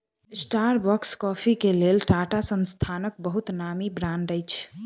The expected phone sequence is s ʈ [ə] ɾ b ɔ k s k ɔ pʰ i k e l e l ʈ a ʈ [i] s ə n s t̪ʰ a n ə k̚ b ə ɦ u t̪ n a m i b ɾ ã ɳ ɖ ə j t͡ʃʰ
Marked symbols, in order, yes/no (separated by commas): no, no